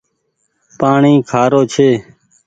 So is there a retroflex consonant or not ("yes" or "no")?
yes